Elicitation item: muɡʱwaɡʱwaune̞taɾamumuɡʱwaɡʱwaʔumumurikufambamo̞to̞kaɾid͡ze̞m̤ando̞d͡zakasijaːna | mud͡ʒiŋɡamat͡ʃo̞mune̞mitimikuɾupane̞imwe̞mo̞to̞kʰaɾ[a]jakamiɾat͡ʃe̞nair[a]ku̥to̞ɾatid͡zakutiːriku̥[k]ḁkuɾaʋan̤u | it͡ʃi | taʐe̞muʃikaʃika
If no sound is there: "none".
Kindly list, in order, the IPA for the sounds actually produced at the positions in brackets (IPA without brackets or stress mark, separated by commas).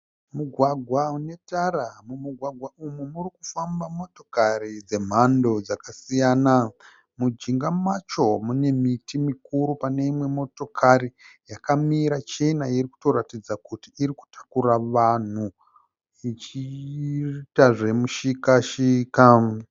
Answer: i, i, t